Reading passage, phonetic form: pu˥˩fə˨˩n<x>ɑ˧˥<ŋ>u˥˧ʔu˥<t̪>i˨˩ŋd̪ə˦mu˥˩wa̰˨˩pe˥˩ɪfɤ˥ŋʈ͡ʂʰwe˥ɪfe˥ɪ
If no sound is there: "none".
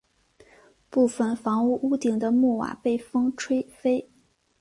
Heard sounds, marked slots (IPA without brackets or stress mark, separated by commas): f, ŋ, t̪